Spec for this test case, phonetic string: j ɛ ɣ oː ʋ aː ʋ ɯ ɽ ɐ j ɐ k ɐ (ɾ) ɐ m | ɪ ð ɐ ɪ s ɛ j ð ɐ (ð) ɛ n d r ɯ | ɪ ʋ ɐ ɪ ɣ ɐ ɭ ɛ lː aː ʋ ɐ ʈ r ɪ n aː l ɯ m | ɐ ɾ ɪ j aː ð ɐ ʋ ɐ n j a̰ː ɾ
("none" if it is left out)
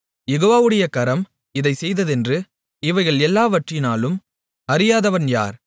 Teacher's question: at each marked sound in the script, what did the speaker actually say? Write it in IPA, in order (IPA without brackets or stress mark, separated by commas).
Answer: ɾ, ð